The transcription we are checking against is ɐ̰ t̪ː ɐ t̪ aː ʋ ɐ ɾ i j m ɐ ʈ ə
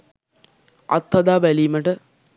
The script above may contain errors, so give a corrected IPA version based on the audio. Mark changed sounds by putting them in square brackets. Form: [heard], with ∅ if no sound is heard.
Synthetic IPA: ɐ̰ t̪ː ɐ [d̪] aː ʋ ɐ [l] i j m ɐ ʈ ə

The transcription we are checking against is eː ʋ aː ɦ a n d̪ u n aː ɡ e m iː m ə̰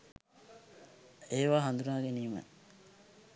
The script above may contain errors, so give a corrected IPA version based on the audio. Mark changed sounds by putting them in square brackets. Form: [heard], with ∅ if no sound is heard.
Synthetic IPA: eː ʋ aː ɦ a n d̪ u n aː ɡ e [n] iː m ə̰

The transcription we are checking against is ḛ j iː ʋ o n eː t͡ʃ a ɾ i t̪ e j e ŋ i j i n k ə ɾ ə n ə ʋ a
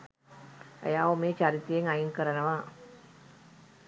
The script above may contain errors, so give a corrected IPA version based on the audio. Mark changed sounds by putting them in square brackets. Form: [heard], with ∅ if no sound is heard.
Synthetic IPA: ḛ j [aː] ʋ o [m] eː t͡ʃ a ɾ i t̪ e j e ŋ [a] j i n k ə ɾ ə n ə ʋ a

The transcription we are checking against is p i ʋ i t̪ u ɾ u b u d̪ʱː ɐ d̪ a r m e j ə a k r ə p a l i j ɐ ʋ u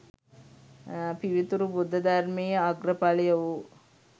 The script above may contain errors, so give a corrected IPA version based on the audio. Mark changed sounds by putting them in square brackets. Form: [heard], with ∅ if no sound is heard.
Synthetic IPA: p i ʋ i t̪ u ɾ u b u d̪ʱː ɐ d̪ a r m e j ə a [ɡ] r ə p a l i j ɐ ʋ u

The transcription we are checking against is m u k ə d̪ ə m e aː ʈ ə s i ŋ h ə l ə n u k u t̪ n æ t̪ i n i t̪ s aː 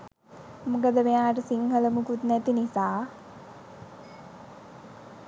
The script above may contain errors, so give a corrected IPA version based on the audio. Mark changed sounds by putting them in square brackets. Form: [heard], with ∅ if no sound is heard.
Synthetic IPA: m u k ə d̪ ə m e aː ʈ ə s i ŋ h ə l ə [m] u k u t̪ n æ t̪ i n i [∅] s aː

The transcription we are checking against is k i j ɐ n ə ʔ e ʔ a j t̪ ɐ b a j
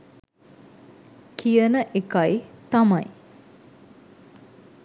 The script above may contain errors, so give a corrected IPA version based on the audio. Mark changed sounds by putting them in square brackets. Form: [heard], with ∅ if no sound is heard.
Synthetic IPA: k i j [ə] n ə ʔ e [k] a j t̪ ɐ [m] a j

